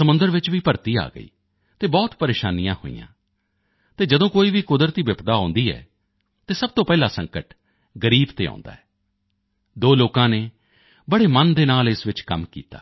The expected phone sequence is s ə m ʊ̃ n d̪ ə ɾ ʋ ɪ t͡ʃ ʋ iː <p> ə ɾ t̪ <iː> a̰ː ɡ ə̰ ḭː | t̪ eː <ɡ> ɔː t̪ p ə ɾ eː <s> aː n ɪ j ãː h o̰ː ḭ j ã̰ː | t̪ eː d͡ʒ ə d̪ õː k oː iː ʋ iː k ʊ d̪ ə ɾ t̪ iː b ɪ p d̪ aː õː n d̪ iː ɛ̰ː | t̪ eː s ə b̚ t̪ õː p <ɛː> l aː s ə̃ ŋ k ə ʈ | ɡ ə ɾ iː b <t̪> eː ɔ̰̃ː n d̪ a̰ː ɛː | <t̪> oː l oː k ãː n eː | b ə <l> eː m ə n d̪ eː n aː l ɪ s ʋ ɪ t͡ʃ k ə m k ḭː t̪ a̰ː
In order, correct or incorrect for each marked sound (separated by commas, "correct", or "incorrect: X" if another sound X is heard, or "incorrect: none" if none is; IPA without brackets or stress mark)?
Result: correct, correct, incorrect: b, incorrect: ʃ, correct, correct, incorrect: d̪, incorrect: ɽ